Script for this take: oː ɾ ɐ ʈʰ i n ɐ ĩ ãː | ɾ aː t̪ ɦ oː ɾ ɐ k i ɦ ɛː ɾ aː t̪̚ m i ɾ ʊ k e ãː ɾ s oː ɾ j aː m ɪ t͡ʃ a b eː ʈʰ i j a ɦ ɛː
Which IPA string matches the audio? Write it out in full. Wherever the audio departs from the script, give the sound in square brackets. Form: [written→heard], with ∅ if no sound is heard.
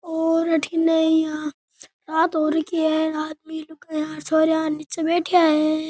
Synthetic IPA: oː ɾ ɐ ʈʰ i n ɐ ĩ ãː | ɾ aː t̪ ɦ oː ɾ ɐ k i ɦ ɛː ɾ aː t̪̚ m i [ɾ→l] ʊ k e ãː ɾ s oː ɾ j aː [m→n] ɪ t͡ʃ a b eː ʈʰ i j a ɦ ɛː